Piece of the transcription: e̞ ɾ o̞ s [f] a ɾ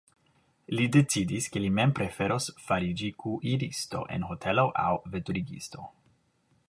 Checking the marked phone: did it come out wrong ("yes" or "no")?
no